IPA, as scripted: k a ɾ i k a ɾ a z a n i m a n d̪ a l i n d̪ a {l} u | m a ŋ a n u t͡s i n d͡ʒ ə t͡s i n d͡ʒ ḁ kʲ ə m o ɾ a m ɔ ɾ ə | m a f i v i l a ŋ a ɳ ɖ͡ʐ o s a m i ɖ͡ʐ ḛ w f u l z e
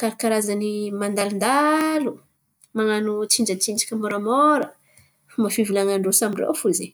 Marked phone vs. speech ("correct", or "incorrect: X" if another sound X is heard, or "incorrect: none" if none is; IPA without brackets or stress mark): correct